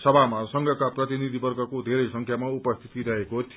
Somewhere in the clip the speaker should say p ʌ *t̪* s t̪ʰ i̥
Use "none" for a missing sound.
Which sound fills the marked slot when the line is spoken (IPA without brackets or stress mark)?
none